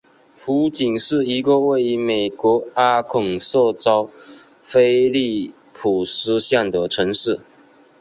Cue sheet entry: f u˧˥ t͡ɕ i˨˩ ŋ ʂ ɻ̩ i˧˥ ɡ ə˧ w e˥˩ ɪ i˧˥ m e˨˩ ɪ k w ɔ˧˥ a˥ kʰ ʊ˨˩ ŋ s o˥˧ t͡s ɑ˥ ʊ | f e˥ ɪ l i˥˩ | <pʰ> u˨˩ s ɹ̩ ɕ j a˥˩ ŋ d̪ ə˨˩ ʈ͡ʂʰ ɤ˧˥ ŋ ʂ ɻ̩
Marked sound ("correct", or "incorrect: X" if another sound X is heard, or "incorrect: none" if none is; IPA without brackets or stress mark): correct